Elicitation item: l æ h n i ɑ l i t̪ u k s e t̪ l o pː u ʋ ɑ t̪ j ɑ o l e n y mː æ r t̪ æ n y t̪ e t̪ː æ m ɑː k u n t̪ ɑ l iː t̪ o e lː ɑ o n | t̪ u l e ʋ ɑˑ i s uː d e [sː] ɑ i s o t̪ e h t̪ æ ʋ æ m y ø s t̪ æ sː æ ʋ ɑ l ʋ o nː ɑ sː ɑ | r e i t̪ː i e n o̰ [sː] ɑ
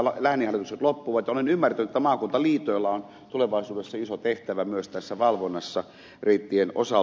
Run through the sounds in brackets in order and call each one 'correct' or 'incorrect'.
correct, incorrect: s

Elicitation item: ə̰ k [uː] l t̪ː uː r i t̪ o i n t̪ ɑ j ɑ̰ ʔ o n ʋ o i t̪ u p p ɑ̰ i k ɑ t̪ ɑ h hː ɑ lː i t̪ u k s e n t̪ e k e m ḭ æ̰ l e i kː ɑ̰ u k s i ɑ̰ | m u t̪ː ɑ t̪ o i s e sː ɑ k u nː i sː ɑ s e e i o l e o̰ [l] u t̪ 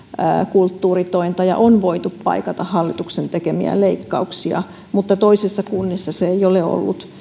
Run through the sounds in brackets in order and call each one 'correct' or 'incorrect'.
incorrect: u, incorrect: lː

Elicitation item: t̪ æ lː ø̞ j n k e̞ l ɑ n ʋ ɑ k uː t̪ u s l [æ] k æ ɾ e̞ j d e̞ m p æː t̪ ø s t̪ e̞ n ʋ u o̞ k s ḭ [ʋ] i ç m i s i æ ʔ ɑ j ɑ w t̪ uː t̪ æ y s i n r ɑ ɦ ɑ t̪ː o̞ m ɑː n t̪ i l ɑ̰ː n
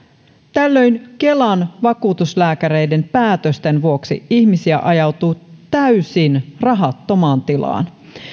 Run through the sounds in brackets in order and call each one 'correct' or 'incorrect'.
incorrect: æː, incorrect: none

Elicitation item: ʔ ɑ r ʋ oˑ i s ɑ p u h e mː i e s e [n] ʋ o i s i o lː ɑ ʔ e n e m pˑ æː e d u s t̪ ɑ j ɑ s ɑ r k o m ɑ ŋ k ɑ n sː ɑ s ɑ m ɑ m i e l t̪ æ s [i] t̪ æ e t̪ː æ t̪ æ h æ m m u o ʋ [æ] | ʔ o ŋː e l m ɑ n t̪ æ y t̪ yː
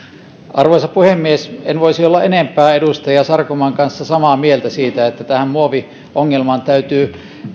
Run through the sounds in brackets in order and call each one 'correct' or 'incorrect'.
correct, incorrect: iː, incorrect: i

